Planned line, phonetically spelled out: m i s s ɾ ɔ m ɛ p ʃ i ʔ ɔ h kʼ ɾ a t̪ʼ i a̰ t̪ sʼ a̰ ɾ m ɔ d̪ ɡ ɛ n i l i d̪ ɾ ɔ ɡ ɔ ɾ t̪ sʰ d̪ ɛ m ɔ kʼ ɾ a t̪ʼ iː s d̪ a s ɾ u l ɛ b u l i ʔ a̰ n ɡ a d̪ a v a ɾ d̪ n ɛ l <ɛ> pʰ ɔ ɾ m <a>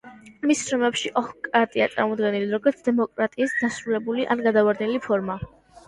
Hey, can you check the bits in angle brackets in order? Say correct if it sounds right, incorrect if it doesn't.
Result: incorrect: i, correct

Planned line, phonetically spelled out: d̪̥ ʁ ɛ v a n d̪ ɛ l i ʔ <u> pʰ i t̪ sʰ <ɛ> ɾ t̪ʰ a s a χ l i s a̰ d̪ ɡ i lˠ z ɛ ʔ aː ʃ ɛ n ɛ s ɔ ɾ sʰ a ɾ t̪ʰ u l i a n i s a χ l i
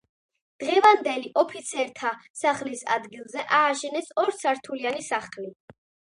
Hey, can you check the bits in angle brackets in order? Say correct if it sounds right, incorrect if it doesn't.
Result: incorrect: ɔ, correct

